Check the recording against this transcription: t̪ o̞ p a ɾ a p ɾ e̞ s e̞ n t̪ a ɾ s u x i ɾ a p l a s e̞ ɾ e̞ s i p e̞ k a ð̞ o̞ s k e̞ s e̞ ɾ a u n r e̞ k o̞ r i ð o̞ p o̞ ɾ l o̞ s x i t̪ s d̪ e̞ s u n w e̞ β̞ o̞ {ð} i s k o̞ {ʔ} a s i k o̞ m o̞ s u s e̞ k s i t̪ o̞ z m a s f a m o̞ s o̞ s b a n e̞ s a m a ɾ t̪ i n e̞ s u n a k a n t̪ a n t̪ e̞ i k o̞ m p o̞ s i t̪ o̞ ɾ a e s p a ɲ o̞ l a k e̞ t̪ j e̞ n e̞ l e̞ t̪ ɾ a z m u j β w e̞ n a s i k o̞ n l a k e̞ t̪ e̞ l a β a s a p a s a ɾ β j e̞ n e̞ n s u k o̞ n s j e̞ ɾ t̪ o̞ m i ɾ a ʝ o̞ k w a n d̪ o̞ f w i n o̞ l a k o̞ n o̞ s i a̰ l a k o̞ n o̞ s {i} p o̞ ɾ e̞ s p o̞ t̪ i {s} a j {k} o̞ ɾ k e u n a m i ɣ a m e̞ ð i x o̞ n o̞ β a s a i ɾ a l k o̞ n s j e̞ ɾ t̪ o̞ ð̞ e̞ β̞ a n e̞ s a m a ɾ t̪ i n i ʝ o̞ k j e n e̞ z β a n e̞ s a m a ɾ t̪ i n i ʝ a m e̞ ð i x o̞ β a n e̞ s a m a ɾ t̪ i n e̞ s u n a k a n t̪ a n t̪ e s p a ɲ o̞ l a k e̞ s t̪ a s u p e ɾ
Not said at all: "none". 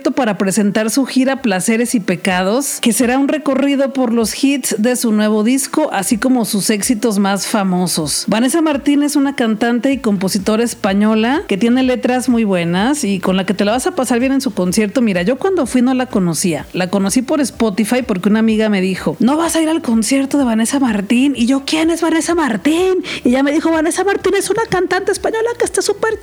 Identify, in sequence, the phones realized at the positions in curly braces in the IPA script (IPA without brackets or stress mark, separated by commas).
ð, ʔ, i, f, p